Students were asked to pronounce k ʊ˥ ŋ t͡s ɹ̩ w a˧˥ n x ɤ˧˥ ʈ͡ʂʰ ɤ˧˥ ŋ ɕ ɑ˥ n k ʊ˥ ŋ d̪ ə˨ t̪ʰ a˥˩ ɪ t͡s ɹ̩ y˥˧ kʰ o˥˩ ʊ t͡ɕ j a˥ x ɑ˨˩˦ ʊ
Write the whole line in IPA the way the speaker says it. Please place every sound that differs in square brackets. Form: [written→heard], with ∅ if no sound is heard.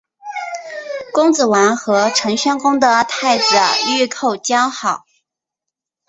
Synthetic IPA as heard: k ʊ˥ ŋ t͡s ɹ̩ w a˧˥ n x ɤ˧˥ ʈ͡ʂʰ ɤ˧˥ ŋ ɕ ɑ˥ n k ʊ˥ ŋ d̪ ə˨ t̪ʰ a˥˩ ɪ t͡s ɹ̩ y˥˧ kʰ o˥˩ ʊ t͡ɕ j [a˥→ɑ˥] x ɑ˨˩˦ ʊ